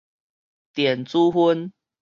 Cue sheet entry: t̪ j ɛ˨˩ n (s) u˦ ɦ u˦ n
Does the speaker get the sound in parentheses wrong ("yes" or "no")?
yes